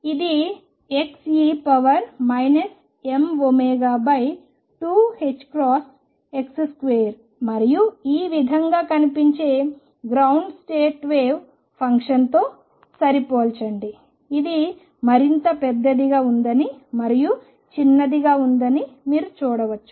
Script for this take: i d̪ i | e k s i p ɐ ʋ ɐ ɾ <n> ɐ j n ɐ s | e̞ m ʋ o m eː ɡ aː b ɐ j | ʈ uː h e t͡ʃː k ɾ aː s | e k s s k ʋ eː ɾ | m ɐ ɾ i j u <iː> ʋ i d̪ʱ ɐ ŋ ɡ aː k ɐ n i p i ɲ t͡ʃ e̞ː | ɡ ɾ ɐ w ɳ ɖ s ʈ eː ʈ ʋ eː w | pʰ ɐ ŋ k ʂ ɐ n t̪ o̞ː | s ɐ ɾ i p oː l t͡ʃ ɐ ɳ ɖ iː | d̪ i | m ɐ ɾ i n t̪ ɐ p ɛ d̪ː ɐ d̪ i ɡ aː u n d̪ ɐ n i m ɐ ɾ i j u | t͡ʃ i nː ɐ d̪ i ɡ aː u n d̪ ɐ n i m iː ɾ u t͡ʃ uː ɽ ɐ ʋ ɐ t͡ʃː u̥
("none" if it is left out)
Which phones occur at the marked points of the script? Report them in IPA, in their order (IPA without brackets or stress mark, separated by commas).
m, iː